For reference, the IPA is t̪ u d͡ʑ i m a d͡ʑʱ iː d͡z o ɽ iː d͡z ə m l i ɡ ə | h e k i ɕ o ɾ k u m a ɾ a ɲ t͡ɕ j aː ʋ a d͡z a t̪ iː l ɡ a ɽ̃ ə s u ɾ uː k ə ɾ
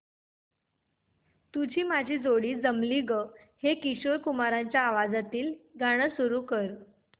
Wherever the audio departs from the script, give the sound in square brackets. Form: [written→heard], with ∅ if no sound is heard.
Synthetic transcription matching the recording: t̪ u d͡ʑ [i→iː] m a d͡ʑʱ iː d͡z o ɽ iː d͡z ə m l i ɡ ə | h e k i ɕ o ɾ k u m a ɾ a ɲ t͡ɕ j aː ʋ a d͡z a t̪ iː l ɡ a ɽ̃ ə s u ɾ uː k ə ɾ